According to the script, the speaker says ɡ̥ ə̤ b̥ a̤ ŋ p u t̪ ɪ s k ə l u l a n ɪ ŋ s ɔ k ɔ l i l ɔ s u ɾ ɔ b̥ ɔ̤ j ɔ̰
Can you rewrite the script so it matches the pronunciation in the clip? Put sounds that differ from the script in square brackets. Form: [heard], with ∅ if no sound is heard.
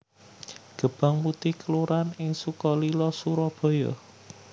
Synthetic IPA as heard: ɡ̥ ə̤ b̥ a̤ ŋ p u t̪ ɪ [h] k ə l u [ɾ] a n ɪ ŋ s [u] k ɔ l i l ɔ s u ɾ ɔ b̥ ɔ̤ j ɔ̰